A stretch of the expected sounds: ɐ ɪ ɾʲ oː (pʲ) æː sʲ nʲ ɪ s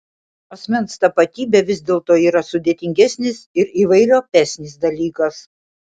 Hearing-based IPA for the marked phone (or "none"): pʲ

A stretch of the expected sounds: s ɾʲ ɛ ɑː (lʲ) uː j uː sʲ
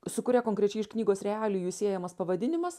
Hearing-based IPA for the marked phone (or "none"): lʲ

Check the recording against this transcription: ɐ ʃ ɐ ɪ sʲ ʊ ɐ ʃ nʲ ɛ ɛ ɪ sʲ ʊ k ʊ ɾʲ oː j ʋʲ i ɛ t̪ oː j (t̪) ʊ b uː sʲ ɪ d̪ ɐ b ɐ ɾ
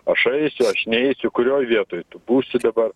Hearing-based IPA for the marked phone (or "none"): t̪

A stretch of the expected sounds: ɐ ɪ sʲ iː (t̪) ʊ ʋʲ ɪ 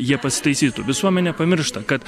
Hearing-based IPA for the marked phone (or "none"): t̪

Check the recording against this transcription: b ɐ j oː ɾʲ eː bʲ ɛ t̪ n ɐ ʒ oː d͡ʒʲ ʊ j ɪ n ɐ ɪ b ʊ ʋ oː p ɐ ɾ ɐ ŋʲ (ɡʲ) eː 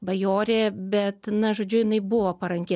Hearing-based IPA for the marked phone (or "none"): kʲ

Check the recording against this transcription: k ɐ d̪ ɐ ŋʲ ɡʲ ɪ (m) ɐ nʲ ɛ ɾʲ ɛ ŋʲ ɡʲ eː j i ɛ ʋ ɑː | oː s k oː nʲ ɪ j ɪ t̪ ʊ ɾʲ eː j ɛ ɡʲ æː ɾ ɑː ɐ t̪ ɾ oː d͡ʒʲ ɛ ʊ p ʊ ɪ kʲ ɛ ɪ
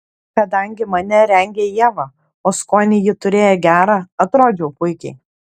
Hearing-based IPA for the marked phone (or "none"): m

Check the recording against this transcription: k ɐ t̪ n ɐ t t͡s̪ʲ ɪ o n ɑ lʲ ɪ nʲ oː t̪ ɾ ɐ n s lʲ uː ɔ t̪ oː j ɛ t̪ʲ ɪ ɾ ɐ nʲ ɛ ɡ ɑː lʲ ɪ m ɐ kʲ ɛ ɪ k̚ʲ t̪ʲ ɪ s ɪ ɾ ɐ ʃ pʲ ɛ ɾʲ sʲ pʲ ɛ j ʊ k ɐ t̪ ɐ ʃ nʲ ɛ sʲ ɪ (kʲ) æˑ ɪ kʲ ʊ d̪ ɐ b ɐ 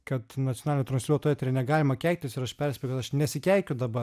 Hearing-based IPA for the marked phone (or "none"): kʲ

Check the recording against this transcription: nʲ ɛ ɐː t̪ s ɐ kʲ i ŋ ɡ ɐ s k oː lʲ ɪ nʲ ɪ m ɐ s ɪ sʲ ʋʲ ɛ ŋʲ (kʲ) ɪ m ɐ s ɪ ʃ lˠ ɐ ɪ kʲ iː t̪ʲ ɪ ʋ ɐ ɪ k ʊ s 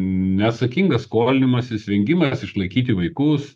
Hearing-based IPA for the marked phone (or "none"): ɡʲ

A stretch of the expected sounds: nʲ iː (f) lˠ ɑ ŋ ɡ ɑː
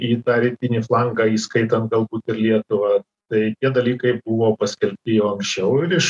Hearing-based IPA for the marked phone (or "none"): f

